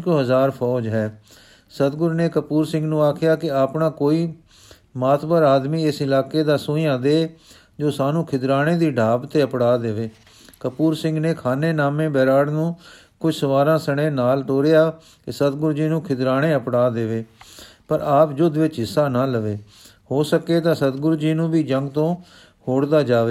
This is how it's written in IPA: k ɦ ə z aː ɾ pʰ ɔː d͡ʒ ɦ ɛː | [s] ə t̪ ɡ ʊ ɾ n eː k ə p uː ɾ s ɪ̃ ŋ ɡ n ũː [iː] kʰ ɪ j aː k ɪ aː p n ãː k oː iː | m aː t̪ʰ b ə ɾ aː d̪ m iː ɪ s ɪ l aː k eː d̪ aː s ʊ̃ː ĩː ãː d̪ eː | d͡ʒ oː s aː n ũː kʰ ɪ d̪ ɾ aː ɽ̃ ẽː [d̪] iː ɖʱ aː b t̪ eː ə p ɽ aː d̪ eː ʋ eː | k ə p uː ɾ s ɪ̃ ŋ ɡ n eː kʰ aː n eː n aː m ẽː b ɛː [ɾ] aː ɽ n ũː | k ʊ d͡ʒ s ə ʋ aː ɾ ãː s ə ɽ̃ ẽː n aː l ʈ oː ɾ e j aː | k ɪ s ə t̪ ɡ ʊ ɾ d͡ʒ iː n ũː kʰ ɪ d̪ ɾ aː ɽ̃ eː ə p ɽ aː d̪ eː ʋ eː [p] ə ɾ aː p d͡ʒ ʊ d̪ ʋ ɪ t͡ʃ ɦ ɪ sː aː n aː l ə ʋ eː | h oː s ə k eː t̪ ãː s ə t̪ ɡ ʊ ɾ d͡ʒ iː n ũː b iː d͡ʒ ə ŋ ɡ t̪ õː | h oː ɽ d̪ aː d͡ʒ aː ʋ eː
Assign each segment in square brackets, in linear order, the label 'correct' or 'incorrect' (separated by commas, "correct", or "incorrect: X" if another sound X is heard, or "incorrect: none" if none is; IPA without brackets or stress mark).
correct, incorrect: aː, correct, correct, correct